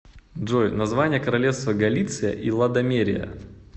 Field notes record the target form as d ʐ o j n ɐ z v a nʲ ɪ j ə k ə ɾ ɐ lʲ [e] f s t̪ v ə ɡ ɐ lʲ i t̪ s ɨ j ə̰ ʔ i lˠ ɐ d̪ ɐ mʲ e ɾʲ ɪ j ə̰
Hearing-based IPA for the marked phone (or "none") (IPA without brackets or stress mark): e